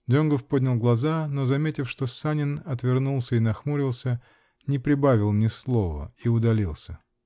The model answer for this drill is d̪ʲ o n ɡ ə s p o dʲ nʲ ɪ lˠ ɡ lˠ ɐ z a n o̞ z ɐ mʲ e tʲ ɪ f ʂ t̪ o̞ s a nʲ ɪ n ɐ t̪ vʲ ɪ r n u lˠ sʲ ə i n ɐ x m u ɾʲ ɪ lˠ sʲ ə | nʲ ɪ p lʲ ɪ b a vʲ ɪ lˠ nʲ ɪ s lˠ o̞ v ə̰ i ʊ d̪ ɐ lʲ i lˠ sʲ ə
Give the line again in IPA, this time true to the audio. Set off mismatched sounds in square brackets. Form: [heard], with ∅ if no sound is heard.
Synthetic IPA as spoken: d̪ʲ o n ɡ ə [f] p o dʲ nʲ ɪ lˠ ɡ lˠ ɐ z a n o̞ z ɐ mʲ e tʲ ɪ f ʂ t̪ o̞ s a nʲ ɪ n ɐ t̪ vʲ ɪ r n u lˠ sʲ ə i n ɐ x m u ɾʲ ɪ lˠ sʲ ə | nʲ ɪ p [ɾʲ] ɪ b a vʲ ɪ lˠ nʲ ɪ s lˠ o̞ v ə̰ i ʊ d̪ ɐ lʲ i lˠ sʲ ə